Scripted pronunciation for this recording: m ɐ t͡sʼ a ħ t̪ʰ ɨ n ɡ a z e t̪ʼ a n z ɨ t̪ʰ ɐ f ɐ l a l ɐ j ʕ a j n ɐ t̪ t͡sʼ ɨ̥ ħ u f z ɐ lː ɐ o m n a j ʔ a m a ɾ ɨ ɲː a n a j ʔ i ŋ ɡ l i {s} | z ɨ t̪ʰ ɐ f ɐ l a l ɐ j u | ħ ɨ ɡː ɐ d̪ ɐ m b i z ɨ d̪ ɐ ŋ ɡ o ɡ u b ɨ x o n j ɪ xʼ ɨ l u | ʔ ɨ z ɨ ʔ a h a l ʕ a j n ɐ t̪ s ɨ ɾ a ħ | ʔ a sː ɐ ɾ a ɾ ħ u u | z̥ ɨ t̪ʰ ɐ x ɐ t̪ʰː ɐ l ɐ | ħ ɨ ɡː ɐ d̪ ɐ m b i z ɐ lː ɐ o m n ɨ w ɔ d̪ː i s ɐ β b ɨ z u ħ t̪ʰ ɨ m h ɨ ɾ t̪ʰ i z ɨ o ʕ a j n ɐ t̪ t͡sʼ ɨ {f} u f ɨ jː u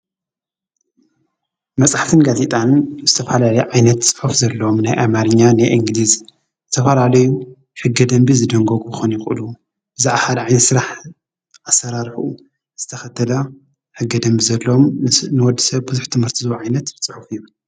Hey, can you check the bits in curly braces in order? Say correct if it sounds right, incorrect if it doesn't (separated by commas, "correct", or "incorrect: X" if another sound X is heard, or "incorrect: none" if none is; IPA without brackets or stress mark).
incorrect: z, incorrect: ħ